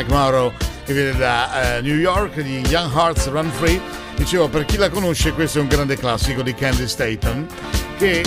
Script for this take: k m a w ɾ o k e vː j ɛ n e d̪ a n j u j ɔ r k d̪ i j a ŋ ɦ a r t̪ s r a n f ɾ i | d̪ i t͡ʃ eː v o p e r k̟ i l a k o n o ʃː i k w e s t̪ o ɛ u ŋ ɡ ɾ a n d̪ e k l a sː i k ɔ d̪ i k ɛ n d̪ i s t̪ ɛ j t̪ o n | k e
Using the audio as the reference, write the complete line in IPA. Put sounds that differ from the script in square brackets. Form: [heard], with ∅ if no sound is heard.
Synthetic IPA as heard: k m a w ɾ o k e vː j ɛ n e d̪ a n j u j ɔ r k d̪ i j a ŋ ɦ a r t̪ s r a n f ɾ i | d̪ i t͡ʃ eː v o p e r k̟ i l a k o n o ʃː [e] k w e s t̪ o ɛ u ŋ ɡ ɾ a n d̪ e k l a sː i k [o] d̪ i k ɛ n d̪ i s t̪ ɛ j t̪ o n | k e